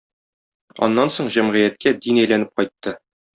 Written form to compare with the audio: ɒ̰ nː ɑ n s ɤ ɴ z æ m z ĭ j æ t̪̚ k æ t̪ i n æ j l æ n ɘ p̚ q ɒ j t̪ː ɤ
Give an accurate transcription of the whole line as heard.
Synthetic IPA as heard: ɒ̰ nː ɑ n s o ɴ ʑ æ m ʁ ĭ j æ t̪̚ k æ d̪ i n æ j l æ n ɘ p̚ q ɒ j t̪ː ɤ